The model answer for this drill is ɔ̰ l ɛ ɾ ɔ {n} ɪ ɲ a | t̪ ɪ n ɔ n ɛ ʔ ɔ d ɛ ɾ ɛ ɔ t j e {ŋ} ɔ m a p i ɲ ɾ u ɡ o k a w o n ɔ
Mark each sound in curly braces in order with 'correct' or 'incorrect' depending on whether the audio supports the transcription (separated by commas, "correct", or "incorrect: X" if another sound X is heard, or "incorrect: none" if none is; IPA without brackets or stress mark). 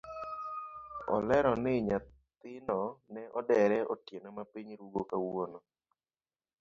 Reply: correct, incorrect: n